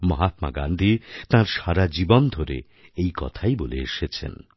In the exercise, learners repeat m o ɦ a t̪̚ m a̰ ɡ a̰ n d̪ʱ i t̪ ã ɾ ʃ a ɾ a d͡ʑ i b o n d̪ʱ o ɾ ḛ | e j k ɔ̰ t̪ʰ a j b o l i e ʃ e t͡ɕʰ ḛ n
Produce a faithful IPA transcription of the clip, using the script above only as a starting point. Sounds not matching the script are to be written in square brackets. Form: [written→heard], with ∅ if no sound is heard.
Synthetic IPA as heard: m [o→ɔ] ɦ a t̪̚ m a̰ ɡ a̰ n d̪ʱ i t̪ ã ɾ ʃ a ɾ a d͡ʑ i b o n d̪ʱ o ɾ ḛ | e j k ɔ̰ t̪ʰ a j b o l [i→e] e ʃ e t͡ɕʰ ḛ n